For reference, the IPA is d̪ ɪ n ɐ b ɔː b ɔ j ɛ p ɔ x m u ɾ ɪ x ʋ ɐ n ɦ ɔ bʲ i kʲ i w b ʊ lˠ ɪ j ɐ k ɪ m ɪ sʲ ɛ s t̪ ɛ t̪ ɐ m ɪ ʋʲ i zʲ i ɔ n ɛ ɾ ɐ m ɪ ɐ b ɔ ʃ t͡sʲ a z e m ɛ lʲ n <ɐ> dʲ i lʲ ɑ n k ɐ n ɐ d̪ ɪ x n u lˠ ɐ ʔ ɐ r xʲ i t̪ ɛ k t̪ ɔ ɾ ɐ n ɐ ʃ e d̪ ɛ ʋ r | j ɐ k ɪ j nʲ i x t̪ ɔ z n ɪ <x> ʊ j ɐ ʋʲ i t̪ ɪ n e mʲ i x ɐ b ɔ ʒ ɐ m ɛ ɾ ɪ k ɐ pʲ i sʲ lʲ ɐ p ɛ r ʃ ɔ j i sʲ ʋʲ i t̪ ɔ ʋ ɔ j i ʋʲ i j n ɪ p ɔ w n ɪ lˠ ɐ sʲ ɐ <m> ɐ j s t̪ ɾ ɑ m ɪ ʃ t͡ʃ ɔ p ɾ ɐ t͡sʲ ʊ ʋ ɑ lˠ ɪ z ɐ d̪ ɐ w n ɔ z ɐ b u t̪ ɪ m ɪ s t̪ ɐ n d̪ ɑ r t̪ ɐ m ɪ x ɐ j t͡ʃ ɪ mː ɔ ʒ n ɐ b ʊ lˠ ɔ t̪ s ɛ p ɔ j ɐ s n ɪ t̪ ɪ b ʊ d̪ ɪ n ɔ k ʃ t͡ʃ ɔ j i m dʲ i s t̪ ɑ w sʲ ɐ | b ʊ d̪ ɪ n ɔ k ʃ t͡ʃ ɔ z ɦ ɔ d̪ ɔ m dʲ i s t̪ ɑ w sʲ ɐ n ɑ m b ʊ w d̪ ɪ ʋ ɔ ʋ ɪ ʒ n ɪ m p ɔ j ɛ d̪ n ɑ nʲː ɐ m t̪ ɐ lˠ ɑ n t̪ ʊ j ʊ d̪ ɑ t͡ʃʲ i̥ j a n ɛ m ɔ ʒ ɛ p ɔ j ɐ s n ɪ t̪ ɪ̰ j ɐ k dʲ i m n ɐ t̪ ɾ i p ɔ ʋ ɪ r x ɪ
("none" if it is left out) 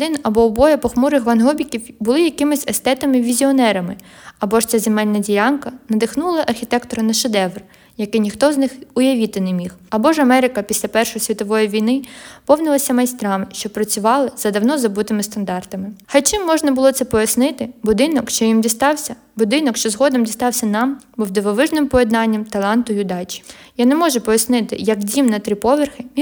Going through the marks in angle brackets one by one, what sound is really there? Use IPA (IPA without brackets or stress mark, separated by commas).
ɐ, x, m